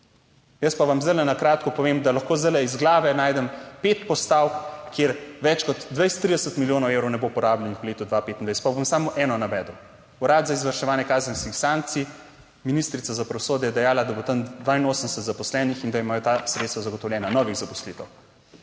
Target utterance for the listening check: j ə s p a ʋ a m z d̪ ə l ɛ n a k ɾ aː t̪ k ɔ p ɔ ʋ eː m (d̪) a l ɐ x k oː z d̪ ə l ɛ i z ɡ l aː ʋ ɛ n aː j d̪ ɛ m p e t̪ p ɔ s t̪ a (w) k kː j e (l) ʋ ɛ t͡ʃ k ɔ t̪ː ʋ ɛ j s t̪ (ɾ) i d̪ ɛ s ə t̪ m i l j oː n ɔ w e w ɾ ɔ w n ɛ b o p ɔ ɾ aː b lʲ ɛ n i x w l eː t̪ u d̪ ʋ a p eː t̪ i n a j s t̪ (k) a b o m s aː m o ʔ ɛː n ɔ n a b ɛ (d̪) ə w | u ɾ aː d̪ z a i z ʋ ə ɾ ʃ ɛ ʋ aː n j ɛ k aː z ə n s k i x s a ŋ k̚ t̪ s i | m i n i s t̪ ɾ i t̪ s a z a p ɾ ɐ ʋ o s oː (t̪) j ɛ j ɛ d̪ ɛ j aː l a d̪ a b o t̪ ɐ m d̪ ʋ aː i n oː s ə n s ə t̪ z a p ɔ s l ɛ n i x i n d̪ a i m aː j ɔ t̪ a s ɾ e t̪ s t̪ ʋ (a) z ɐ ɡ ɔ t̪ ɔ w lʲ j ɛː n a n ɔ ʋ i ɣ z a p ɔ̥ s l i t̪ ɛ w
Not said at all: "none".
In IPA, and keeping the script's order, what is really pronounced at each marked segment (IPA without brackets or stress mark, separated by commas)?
d̪, w, ɾ, ɾ, p, d̪, d̪, a